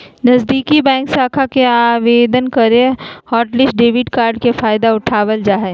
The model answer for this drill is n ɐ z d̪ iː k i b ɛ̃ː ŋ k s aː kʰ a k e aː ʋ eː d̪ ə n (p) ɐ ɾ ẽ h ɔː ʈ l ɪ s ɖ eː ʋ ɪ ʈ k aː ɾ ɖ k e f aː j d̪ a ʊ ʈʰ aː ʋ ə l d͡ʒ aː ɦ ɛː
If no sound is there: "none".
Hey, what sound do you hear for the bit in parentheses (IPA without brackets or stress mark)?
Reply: k